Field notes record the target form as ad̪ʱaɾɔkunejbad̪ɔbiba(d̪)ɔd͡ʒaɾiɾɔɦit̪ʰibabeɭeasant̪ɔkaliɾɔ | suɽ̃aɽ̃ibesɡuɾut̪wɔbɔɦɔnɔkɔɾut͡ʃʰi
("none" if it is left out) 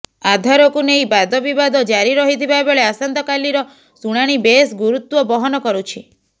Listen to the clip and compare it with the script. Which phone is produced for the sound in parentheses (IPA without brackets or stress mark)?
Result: d̪